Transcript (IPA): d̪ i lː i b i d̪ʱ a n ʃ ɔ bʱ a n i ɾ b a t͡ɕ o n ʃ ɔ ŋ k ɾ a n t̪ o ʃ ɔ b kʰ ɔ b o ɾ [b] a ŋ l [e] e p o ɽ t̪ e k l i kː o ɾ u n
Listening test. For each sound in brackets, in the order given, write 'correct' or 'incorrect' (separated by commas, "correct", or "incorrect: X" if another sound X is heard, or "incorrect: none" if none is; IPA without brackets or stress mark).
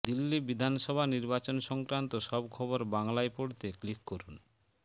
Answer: correct, incorrect: a